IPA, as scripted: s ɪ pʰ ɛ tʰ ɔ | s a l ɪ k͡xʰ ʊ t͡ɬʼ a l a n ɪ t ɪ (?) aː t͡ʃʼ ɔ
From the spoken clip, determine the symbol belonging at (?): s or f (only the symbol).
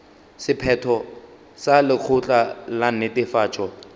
f